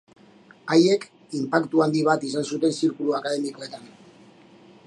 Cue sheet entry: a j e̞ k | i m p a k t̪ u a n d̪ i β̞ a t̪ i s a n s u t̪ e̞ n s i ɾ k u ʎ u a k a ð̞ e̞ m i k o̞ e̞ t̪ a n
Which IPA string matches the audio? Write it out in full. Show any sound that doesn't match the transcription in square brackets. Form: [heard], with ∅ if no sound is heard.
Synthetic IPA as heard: a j e̞ k | i m p a k t̪ u a n d̪ i β̞ a t̪ i s a n s u t̪ e̞ n s i ɾ k u [l] u a k a ð̞ e̞ m i k o̞ e̞ t̪ a n